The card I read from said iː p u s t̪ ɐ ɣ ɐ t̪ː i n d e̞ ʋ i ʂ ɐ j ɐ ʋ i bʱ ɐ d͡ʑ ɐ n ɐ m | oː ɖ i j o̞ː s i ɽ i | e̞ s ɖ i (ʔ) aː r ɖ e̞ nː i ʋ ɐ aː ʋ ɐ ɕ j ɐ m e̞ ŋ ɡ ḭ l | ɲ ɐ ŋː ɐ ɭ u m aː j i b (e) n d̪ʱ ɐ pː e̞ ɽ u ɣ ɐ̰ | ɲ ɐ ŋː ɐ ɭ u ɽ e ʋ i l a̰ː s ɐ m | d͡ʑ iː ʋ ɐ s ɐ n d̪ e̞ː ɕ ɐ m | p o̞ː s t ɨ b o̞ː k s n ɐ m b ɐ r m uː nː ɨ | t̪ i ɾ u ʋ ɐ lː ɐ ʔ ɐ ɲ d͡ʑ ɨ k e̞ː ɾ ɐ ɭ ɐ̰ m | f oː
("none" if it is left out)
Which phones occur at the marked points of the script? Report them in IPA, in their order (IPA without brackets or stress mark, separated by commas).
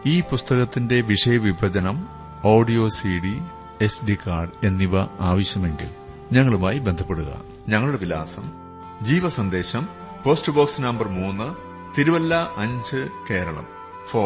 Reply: k, e